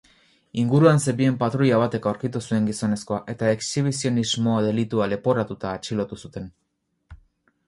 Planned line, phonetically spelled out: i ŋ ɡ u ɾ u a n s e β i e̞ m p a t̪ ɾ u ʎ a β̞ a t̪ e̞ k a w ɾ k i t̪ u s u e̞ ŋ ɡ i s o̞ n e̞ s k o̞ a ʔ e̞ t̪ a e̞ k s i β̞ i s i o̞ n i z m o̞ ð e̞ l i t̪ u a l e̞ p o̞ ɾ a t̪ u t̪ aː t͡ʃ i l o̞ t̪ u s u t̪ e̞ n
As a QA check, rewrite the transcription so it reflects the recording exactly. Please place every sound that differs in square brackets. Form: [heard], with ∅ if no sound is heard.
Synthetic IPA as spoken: i ŋ ɡ u ɾ u a n s e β i e̞ m p a t̪ ɾ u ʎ a β̞ a t̪ e̞ k a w ɾ k i t̪ u s u e̞ ŋ ɡ i s o̞ n e̞ s k o̞ a ʔ e̞ t̪ a e̞ k s i β̞ i s i o̞ n i z m o̞ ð e̞ l i t̪ u a l e̞ p o̞ ɾ a t̪ u t̪ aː t͡ʃ i l o̞ t̪ u s u t̪ e̞ n